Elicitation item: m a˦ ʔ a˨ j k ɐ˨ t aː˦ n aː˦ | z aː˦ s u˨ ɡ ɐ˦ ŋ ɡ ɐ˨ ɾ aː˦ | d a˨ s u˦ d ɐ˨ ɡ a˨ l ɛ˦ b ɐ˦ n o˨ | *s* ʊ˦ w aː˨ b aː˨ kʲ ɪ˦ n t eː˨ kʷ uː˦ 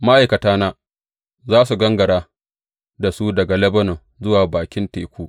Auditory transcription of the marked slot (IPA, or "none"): z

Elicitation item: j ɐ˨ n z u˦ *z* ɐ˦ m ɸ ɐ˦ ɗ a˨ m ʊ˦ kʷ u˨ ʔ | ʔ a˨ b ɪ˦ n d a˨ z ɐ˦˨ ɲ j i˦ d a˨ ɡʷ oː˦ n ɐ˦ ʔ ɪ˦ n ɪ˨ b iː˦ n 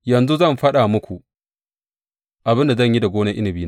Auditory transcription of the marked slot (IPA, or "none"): z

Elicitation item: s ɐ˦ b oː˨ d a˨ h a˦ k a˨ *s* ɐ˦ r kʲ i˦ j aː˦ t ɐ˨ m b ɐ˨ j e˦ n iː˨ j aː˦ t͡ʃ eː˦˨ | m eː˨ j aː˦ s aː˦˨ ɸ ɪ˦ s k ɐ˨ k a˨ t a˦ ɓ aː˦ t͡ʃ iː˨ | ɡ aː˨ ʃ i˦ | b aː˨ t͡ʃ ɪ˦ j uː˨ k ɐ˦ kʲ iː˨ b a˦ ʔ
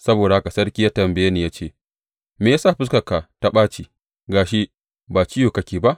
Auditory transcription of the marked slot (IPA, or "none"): s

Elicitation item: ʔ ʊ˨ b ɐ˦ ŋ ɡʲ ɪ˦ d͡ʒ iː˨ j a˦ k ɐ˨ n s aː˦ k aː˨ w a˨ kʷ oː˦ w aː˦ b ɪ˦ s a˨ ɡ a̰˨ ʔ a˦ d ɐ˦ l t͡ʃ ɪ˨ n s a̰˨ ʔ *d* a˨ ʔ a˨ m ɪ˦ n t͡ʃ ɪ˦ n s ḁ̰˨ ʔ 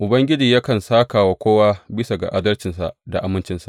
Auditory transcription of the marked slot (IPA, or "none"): d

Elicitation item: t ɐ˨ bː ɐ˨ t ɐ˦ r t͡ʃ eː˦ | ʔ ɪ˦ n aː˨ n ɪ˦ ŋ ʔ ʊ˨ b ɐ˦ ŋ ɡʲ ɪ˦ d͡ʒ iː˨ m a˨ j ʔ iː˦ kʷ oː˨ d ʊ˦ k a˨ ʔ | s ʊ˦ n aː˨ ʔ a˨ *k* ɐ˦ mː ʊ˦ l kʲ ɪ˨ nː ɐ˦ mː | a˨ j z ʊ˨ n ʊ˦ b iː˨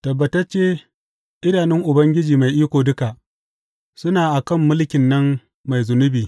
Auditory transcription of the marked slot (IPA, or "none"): k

